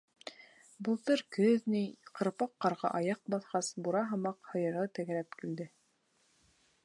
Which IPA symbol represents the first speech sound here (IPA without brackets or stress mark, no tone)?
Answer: b